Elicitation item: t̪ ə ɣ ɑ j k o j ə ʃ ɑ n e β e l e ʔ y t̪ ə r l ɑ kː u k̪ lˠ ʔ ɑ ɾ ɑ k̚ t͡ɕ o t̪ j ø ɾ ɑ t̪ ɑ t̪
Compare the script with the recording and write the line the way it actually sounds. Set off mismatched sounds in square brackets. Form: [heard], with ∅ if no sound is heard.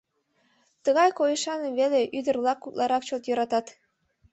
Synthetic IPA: t̪ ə ɣ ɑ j k o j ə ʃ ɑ n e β e l e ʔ y [d̪] ə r l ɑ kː u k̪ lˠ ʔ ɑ ɾ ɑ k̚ t͡ɕ o t̪ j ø ɾ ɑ t̪ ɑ t̪